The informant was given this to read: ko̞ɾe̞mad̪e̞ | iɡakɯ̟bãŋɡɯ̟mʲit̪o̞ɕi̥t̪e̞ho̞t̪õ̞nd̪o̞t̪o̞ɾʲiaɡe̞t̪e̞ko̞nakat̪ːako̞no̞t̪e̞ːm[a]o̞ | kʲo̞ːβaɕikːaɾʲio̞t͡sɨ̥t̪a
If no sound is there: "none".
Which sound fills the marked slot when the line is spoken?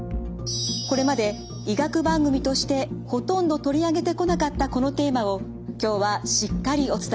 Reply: a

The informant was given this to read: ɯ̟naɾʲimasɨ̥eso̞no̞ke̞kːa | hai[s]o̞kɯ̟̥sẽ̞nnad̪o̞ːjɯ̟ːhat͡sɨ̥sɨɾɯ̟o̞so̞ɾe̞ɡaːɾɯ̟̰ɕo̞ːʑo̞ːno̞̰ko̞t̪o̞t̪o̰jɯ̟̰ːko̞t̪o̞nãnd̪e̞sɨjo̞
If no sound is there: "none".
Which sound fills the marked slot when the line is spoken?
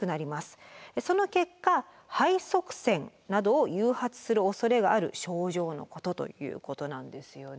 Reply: s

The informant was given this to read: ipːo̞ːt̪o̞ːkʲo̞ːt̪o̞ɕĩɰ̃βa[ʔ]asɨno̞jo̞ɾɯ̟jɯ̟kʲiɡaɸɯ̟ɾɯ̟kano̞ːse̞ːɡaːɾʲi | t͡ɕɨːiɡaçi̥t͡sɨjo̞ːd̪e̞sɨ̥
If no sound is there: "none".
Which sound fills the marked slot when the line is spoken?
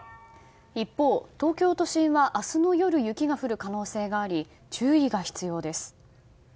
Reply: ʔ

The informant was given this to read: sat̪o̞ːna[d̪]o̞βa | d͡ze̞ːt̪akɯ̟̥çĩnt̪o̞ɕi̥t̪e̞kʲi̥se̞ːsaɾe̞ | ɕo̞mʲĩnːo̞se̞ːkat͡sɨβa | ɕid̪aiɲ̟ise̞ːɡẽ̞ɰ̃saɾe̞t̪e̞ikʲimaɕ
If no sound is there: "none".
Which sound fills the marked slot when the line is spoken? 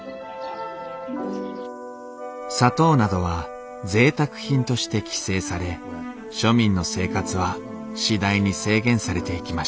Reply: d̪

